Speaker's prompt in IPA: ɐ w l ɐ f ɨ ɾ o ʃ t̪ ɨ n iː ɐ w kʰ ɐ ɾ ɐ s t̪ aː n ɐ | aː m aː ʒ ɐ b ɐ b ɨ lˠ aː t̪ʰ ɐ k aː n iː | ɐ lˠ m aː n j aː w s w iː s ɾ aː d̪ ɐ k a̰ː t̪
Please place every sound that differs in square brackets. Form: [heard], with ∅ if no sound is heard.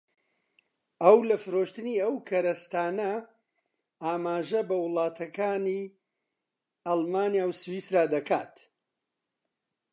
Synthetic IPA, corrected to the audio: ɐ w l ɐ f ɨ ɾ o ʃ t̪ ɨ n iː ɐ w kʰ ɐ ɾ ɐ s t̪ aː n ɐ | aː m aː ʒ ɐ b ɐ [w] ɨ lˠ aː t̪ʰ ɐ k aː n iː | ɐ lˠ m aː n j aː w s w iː s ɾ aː d̪ ɐ k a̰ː t̪